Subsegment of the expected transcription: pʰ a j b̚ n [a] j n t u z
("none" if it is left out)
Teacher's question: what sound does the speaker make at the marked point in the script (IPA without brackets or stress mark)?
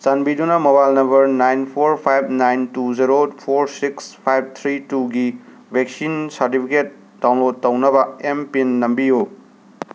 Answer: a